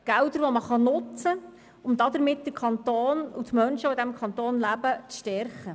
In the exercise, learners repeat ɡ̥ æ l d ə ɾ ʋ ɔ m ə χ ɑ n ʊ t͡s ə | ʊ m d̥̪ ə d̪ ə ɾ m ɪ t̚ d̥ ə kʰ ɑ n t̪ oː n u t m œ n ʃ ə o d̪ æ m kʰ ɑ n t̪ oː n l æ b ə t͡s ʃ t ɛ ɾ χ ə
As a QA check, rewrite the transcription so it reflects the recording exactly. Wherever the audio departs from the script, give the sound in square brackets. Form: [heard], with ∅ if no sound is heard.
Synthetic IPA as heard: ɡ̥ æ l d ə ɾ ʋ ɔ m ə χ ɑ n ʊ t͡s ə | ʊ m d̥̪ [ɑ] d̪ ə ɾ m ɪ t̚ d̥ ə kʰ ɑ n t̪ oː n u t m œ n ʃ ə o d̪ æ m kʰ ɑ n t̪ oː n l æ b ə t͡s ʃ t ɛ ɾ χ ə

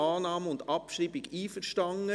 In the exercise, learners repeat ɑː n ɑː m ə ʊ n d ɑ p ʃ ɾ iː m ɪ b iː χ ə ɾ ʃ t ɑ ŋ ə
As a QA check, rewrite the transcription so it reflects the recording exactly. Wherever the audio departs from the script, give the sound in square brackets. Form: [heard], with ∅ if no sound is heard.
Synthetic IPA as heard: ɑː n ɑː m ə ʊ n d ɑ p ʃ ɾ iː [b] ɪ [ɡ] iː [f] ə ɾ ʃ t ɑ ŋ ə

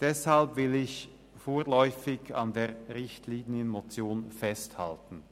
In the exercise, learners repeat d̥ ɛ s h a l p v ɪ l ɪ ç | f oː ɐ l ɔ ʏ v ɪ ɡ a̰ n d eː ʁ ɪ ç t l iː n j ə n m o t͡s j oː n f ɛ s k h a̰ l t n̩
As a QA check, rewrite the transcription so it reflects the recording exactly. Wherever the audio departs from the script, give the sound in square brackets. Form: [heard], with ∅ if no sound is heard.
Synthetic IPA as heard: d̥ ɛ s h a l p v ɪ l ɪ ç | f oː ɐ l ɔ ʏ [f] ɪ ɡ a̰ n d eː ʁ ɪ ç t l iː n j ə n m o t͡s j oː n f ɛ s [t] h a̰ l t n̩

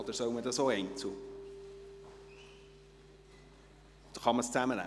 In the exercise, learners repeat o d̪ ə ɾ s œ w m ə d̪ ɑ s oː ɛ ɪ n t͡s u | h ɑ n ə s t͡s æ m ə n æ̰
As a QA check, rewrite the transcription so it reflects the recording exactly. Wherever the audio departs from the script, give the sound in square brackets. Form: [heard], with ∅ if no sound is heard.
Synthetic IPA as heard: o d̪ ə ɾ s œ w m ə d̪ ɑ s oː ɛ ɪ n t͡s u | [χ] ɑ [m] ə s t͡s æ m ə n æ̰

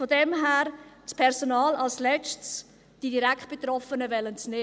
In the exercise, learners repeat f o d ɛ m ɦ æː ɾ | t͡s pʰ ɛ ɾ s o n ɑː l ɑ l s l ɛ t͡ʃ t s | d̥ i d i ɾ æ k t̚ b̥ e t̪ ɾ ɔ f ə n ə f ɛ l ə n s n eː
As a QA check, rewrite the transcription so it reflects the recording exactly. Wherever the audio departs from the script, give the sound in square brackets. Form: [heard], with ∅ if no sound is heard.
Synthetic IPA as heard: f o d ɛ m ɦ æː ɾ | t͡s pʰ ɛ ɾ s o n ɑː l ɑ l s l ɛ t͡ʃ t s | d̥ i d i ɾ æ k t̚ b̥ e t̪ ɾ ɔ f ə n ə [v] ɛ l ə n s n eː

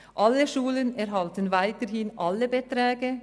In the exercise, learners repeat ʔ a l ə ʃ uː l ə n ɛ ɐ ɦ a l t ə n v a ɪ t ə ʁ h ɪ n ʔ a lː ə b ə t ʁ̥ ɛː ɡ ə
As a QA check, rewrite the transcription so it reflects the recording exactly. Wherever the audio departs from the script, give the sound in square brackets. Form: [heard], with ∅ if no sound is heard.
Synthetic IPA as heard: ʔ a l ə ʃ uː l ə n ɛ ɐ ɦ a l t ə n v a ɪ t ə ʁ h ɪ n ʔ a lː ə b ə t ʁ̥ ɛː ɡ ə

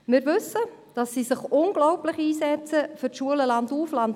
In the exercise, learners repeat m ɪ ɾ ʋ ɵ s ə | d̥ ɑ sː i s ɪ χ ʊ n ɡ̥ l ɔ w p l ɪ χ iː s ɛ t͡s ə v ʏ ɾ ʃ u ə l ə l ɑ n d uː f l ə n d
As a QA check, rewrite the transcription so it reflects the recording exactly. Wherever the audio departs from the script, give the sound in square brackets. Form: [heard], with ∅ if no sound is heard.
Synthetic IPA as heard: m ɪ ɾ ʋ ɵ s ə | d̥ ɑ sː i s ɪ χ ʊ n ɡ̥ l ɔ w p l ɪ χ iː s ɛ t͡s ə [f] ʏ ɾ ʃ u ə l ə l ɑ n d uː f l [ɑ] n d

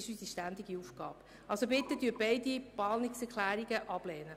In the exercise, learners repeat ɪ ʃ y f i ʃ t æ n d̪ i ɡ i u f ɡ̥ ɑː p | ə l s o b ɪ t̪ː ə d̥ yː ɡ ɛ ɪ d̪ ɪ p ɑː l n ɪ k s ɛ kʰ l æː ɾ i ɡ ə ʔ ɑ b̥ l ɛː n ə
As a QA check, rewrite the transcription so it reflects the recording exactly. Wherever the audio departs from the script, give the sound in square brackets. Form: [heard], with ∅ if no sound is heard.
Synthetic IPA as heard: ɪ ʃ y [s] i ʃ t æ n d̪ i ɡ i u f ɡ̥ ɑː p | [ɑ] l s o b ɪ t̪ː ə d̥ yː [b] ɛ ɪ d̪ [i] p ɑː l n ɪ k s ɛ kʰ l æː ɾ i ɡ ə ʔ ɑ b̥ l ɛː n ə

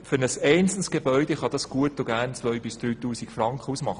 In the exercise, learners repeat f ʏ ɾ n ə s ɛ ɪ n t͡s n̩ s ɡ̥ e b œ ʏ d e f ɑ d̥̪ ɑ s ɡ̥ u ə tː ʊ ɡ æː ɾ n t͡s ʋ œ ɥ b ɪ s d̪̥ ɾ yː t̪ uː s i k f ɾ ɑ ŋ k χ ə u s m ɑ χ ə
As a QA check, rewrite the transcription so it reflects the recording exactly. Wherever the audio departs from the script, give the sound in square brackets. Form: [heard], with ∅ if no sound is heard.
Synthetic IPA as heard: f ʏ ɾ n ə s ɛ ɪ n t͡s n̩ s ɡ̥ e b œ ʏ d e [χ] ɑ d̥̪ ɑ s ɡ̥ u ə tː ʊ ɡ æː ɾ n t͡s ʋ œ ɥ b ɪ s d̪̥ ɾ yː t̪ uː s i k f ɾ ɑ ŋ k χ ə u s m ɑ χ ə

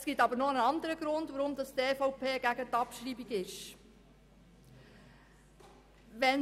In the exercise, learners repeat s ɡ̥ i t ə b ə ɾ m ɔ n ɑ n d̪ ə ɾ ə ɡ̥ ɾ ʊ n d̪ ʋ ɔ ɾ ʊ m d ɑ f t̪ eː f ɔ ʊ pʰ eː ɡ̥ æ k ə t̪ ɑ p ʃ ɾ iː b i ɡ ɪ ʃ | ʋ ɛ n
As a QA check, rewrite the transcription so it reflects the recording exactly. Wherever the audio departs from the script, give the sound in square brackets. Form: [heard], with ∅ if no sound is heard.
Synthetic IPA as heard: s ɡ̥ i t [ɑ] b ə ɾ [n] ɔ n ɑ n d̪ ə ɾ ə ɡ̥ ɾ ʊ n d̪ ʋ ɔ ɾ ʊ m d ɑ [s] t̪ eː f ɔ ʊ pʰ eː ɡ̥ æ [ɡ] ə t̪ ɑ p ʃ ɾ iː b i ɡ ɪ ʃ | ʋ ɛ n

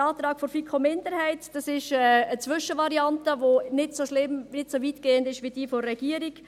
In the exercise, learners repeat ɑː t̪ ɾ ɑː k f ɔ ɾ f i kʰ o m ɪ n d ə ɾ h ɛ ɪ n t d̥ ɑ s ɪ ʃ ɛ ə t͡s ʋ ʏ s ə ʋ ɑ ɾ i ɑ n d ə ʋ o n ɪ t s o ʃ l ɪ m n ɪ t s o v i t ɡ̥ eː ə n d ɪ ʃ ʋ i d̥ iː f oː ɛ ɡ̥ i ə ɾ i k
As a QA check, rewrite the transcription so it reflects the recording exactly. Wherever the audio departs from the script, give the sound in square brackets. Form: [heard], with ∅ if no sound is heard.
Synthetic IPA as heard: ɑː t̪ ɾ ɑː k f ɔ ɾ f i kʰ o m ɪ n d ə ɾ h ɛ ɪ [∅] t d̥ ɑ s ɪ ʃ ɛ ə t͡s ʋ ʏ [ʃ] ə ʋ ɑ ɾ i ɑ n [t] ə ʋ o n ɪ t s o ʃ l ɪ m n ɪ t s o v i t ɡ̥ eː ə n d ɪ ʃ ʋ i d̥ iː f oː ɛ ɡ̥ i ə ɾ i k

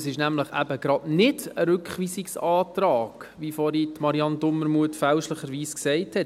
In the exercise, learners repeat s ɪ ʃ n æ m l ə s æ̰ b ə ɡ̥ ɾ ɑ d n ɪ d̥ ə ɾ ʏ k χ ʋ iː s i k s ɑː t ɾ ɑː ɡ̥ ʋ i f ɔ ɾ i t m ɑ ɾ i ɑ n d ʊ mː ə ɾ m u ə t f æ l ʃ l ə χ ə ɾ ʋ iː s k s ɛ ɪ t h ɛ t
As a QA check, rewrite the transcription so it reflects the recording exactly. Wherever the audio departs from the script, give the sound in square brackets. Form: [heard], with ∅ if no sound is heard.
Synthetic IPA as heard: s ɪ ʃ n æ m l ə [χ] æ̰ b ə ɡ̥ ɾ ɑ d n ɪ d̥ ə ɾ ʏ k χ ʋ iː s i k s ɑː t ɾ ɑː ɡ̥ ʋ i f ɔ ɾ i t m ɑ ɾ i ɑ n d ʊ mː ə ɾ m u ə t f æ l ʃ l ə χ ə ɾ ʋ iː s k s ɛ ɪ t h ɛ t

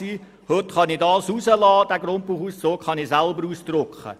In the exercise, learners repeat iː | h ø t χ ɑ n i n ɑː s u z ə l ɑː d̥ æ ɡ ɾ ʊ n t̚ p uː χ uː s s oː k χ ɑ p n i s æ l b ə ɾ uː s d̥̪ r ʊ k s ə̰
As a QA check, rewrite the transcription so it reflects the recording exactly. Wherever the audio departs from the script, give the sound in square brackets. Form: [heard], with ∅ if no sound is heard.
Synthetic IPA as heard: iː | h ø t χ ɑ n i [d] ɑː s u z ə l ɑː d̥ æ ɡ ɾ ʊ n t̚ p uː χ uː s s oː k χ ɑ [∅] n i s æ l b ə ɾ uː s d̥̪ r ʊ k [χ] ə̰

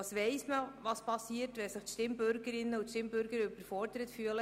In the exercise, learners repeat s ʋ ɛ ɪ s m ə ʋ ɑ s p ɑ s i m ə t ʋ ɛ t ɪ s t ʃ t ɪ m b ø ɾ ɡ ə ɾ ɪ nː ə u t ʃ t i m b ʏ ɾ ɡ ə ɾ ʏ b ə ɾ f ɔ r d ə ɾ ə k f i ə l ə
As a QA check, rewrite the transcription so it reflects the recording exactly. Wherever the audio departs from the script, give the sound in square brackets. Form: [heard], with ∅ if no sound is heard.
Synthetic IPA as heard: s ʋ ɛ ɪ s m ə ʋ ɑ s p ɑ s i [∅] ə t ʋ ɛ [s] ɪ [χ] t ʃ t ɪ m b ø ɾ ɡ ə ɾ ɪ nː ə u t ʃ t [ɪ] m b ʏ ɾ ɡ ə ɾ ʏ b ə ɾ f ɔ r d ə ɾ ə [t] f [y] ə l ə

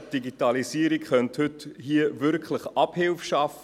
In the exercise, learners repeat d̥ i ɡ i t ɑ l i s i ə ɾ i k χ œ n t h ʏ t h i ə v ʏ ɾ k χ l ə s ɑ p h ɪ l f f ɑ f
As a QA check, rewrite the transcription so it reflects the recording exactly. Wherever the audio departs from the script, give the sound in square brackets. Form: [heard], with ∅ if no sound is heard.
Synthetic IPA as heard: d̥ i ɡ i t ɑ l i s i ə ɾ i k χ œ n t h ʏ t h i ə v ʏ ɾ k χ l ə [χ] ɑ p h ɪ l f [ʃ] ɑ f

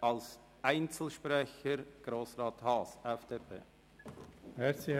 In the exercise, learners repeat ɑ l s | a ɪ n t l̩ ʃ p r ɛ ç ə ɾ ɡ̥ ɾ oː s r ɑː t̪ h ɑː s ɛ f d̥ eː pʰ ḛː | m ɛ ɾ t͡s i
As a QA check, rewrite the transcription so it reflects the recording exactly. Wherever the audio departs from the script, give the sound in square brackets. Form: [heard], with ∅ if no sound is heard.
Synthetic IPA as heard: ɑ l s | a ɪ n [t͡s] l̩ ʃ p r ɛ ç ə ɾ ɡ̥ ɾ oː s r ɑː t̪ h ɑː s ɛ f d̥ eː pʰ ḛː | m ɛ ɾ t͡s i

